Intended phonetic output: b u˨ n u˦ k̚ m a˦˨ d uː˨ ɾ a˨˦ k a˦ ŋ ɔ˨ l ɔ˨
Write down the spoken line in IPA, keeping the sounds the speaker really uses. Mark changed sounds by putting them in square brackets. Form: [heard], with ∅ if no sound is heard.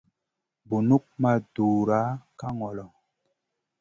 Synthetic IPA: b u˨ n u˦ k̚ m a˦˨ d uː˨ ɾ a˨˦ k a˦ ŋ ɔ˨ l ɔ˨